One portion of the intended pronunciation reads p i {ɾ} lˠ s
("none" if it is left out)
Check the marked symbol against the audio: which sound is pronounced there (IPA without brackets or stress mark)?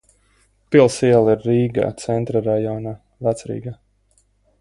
none